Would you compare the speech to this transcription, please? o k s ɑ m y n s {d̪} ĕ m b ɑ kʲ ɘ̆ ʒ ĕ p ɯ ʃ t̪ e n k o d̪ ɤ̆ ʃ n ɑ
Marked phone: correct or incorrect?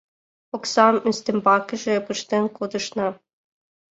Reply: incorrect